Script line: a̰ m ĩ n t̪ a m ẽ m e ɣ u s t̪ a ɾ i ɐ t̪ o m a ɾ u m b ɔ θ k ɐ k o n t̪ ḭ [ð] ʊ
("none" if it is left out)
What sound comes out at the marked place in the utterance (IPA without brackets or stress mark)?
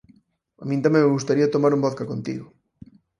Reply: ɣ